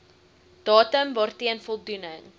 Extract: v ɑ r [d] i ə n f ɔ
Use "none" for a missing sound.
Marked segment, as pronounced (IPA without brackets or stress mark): t